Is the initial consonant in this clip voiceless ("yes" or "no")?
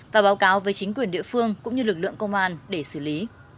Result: no